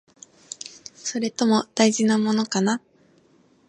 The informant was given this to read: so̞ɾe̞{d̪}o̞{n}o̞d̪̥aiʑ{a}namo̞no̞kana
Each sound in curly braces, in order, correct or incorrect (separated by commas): incorrect, incorrect, incorrect